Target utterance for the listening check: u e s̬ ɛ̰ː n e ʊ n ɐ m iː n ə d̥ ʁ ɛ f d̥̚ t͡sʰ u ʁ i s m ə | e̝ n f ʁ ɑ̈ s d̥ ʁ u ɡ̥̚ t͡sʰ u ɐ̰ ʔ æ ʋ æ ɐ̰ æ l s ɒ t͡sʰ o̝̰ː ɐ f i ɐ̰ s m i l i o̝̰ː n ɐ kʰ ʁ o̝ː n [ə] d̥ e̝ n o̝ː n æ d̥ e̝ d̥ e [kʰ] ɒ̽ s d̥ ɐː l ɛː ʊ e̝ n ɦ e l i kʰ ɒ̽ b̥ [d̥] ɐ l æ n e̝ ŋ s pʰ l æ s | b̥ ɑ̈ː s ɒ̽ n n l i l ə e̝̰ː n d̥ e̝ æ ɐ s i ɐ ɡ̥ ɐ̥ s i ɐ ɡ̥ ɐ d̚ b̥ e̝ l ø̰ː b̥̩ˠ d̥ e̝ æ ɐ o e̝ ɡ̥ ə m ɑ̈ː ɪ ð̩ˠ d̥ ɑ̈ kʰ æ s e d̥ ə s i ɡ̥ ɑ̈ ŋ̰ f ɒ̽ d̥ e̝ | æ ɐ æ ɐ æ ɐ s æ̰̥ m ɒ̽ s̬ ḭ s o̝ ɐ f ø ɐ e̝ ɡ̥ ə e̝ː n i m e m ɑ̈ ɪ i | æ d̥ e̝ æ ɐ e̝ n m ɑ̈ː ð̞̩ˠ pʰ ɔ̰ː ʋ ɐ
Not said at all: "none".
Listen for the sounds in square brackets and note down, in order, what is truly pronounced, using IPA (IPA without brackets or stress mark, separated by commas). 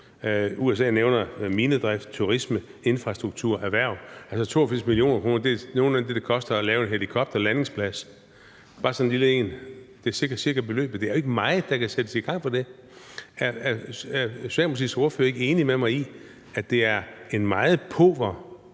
ɐ, kʰ, d̥